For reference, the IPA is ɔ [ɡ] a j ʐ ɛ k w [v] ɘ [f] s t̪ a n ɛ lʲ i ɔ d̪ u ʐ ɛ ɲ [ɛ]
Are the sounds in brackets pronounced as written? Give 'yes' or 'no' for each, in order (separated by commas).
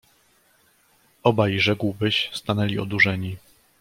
no, no, no, no